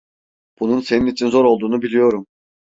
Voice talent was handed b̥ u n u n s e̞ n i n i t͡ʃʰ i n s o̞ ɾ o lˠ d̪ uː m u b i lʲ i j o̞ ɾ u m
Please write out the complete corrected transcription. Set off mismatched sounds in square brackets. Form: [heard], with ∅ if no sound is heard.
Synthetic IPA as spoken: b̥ u n u n s e̞ n i n i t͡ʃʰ i n [z] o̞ ɾ o lˠ d̪ uː [n] u b i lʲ i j o̞ ɾ u m